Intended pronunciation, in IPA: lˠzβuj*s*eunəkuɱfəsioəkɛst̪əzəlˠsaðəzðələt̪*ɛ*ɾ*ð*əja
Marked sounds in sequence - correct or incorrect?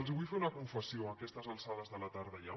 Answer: incorrect: f, incorrect: a, correct

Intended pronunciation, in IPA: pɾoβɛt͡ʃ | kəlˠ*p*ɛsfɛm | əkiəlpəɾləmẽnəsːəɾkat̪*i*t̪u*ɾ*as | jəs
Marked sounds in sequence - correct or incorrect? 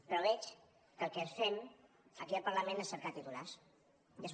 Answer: incorrect: k, correct, incorrect: l

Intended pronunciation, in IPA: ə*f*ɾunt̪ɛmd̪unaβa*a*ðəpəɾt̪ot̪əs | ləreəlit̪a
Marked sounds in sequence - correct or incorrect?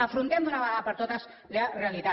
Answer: correct, correct

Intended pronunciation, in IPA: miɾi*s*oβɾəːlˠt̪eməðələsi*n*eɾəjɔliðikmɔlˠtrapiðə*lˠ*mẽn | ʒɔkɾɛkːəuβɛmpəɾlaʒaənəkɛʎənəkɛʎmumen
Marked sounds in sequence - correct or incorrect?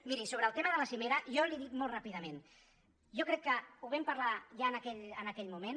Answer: correct, incorrect: m, incorrect: none

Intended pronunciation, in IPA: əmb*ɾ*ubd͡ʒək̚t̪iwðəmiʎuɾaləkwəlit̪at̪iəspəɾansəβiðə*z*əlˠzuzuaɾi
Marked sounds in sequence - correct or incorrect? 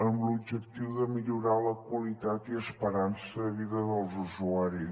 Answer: incorrect: l, incorrect: ð

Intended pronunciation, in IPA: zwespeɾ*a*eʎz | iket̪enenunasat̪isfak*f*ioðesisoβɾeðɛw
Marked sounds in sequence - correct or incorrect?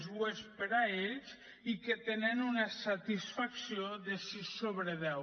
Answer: correct, incorrect: s

